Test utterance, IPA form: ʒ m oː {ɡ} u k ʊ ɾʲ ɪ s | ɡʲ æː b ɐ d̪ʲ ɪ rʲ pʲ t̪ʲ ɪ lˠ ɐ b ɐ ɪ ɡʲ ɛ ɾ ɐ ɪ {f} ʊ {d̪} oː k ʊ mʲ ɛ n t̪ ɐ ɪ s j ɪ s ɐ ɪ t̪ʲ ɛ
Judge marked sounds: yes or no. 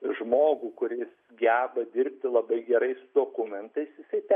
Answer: yes, no, yes

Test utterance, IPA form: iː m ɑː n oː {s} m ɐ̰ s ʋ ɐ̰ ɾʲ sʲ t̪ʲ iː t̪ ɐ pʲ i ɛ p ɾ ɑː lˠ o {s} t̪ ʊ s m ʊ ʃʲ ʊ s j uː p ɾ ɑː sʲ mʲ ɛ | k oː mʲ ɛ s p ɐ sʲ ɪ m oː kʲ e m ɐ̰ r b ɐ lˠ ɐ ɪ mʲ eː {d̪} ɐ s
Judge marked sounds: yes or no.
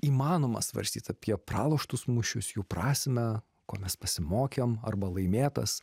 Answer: no, no, no

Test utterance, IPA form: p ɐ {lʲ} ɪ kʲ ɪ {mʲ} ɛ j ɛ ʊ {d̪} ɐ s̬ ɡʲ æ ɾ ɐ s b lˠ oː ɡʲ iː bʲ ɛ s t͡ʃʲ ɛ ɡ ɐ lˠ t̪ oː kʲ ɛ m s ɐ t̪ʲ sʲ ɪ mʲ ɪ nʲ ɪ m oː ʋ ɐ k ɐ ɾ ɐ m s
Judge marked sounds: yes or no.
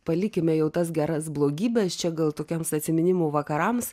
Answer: yes, yes, no

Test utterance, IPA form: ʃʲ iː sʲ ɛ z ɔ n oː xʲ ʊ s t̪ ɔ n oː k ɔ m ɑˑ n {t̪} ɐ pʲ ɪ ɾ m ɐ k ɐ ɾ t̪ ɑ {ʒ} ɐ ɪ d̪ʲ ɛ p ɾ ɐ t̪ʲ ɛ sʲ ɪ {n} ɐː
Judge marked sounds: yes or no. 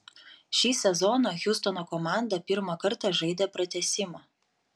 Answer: no, yes, no

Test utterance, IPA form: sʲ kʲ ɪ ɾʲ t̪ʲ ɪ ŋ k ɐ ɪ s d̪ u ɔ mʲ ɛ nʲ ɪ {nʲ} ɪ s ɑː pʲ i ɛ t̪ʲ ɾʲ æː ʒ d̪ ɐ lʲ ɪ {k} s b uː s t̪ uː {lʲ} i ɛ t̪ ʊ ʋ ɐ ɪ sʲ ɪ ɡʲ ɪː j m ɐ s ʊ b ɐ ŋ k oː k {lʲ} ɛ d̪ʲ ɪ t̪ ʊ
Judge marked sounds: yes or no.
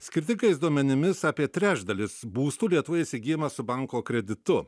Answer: no, no, yes, no

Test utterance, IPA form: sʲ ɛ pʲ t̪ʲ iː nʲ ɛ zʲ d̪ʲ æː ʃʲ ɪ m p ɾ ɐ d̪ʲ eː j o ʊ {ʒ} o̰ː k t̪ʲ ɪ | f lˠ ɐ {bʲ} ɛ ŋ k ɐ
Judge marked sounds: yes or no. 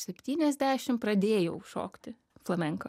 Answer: no, no

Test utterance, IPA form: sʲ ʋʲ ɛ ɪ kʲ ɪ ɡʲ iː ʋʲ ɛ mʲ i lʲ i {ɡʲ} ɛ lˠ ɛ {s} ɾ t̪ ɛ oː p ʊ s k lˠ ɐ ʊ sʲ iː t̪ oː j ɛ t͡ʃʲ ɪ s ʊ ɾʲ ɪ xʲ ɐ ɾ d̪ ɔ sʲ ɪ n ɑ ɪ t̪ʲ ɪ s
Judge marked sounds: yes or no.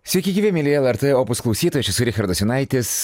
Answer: no, no

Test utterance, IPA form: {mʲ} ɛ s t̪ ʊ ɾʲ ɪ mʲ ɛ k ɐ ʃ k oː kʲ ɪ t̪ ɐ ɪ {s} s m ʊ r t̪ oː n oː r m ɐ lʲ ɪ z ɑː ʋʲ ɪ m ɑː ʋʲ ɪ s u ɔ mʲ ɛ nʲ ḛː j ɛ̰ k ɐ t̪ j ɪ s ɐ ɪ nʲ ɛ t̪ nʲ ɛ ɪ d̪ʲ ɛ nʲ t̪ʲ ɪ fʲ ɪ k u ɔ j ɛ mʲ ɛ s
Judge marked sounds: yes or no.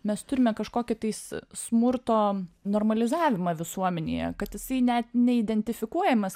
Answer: yes, yes

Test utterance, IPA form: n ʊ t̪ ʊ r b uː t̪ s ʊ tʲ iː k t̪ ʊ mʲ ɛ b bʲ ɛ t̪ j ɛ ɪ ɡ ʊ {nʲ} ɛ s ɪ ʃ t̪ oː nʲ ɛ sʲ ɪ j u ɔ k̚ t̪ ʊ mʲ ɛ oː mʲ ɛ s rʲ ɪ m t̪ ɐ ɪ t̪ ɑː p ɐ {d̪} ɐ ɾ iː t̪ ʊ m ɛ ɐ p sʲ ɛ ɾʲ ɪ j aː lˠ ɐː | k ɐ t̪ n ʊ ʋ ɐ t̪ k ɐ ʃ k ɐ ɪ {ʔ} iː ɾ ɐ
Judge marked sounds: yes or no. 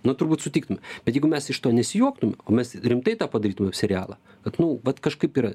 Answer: no, yes, no

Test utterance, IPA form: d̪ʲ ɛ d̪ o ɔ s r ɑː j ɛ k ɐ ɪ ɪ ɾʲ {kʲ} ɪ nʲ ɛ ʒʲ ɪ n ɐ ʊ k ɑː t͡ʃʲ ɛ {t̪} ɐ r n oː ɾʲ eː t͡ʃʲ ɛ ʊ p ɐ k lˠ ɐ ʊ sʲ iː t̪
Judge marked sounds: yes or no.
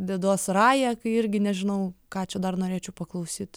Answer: no, no

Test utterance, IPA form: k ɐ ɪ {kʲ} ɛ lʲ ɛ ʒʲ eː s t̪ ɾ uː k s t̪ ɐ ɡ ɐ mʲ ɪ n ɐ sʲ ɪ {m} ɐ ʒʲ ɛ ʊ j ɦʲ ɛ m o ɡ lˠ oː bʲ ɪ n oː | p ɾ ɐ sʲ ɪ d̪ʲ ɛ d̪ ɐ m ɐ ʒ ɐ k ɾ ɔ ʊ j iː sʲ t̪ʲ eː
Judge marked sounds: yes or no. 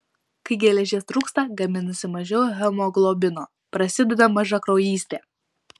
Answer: no, yes

